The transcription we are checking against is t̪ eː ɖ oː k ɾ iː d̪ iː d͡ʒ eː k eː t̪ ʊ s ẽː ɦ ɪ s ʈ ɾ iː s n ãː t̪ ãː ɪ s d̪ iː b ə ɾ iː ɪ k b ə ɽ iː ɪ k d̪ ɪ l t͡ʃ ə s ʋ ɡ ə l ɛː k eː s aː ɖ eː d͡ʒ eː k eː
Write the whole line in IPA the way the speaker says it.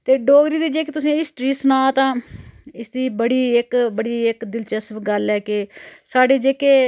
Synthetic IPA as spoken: t̪ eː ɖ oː ɡ ɾ iː d̪ iː d͡ʒ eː k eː t̪ ʊ s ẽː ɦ ɪ s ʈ ɾ iː s n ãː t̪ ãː ɪ s d̪ iː b ə ɽ iː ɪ k b ə ɽ iː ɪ k d̪ ɪ l t͡ʃ ə s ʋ ɡ ə l ɛː k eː s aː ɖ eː d͡ʒ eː k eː